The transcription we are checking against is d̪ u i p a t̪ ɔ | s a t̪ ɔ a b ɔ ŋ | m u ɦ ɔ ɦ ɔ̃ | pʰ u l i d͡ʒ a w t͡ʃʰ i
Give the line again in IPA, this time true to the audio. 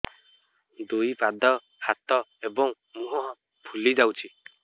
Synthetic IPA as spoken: d̪ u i p a d̪ ɔ | h a t̪ ɔ e b ɔ ŋ | m u ɦ ɔ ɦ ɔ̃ | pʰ u l i d͡ʒ a w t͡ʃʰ i